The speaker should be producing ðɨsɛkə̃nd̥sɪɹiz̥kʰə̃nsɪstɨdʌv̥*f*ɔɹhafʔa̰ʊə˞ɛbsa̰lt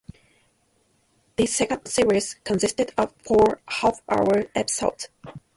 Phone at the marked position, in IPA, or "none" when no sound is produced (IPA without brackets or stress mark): f